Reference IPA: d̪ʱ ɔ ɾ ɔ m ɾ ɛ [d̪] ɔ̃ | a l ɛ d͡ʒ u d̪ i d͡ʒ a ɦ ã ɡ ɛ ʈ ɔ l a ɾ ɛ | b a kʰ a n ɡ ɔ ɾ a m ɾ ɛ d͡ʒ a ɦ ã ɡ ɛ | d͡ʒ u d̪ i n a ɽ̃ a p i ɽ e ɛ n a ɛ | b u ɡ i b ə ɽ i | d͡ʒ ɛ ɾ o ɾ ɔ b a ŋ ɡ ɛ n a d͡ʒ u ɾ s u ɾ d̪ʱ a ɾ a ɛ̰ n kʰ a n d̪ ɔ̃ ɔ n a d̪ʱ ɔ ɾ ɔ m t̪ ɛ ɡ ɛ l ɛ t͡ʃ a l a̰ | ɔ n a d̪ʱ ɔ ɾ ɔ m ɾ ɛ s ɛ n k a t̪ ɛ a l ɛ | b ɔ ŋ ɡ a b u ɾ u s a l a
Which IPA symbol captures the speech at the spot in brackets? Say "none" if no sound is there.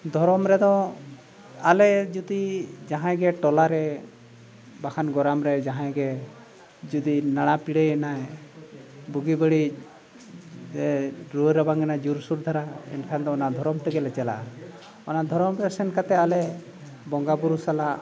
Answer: d̪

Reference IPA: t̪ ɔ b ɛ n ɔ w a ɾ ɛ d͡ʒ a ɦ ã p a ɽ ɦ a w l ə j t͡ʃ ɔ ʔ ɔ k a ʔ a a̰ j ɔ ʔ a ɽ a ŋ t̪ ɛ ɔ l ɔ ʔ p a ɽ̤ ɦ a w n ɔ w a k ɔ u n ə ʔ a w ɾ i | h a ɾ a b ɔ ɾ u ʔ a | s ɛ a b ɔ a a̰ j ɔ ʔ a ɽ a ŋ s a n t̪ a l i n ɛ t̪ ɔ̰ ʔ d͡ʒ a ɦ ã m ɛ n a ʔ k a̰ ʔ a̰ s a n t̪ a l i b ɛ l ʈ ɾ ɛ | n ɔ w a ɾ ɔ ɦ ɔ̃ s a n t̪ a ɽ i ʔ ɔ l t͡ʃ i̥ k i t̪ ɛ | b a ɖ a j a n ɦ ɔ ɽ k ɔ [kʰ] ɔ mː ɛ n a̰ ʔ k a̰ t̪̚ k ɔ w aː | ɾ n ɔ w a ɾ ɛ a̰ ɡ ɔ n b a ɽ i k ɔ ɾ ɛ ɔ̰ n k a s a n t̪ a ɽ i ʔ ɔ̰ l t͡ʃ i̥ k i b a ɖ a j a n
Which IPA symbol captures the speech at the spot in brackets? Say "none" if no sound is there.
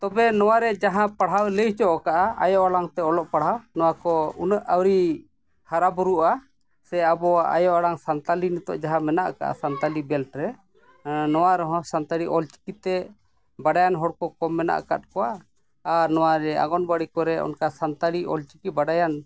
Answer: k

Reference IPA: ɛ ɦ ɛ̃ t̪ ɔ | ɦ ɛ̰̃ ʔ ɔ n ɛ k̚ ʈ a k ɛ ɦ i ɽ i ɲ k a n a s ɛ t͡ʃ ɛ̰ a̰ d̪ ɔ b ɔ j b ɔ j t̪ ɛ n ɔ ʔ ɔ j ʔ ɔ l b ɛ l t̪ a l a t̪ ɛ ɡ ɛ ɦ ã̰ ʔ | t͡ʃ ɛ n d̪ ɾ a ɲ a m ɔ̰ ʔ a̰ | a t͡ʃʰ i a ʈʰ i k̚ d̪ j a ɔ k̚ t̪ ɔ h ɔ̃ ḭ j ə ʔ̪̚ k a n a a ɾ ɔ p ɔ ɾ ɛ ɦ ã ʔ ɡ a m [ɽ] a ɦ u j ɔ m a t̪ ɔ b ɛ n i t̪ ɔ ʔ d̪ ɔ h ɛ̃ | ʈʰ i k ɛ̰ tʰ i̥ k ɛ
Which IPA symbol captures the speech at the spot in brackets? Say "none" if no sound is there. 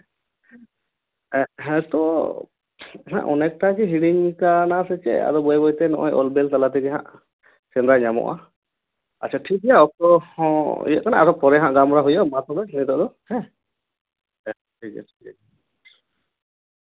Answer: ɾ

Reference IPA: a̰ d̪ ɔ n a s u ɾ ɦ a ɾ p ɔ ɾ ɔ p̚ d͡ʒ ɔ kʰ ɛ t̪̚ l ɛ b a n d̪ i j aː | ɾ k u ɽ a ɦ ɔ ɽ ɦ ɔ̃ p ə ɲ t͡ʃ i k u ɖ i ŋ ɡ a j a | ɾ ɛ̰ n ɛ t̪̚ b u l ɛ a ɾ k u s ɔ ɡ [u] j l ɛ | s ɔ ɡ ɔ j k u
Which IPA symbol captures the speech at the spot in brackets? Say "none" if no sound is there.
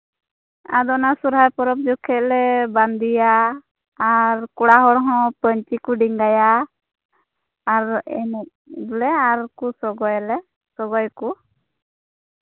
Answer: ɔ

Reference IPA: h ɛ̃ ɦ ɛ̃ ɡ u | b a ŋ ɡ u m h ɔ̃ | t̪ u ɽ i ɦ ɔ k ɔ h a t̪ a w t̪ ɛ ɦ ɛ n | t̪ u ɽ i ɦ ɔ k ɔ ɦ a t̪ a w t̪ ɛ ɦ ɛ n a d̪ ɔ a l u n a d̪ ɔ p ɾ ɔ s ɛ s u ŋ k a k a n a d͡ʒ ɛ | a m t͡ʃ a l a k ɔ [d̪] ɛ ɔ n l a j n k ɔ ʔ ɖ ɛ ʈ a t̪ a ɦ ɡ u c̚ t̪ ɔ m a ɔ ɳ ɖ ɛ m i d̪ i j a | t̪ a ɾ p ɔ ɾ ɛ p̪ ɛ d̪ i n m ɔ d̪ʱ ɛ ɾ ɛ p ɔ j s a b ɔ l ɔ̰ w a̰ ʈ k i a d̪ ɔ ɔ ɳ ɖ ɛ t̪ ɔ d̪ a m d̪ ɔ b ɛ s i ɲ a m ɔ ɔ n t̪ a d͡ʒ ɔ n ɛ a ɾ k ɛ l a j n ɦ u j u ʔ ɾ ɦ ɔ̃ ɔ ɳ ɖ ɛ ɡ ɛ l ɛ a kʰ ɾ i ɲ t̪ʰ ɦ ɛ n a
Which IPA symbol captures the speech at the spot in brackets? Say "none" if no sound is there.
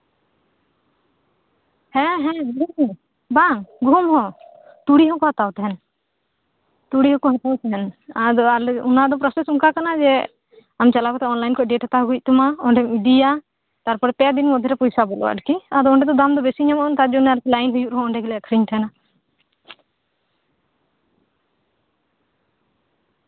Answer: t̪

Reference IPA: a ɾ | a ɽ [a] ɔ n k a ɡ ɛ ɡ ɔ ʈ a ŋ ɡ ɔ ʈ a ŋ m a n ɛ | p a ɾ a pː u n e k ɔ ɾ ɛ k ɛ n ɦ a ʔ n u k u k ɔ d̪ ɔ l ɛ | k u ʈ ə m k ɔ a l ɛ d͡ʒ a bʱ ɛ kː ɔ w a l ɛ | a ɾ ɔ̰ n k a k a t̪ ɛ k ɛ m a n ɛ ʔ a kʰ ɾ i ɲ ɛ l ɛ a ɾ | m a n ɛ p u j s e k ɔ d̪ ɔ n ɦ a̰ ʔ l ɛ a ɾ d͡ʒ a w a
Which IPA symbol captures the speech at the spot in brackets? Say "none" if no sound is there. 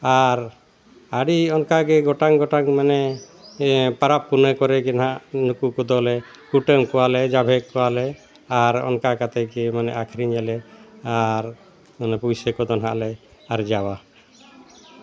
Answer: i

